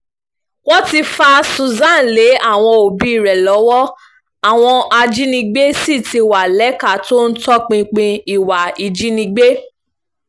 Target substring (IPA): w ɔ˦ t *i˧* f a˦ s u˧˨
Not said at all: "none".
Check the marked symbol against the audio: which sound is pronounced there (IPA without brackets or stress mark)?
i˧